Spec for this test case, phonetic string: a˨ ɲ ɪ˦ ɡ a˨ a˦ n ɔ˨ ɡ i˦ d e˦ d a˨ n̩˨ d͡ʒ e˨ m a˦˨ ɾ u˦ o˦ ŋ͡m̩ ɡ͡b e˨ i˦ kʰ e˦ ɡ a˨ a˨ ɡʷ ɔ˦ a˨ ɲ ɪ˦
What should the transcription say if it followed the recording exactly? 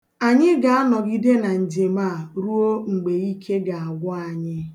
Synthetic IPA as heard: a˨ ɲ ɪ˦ ɡ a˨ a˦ n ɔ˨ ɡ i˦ d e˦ n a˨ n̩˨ d͡ʒ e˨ m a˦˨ ɾ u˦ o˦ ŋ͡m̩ ɡ͡b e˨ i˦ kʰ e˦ ɡ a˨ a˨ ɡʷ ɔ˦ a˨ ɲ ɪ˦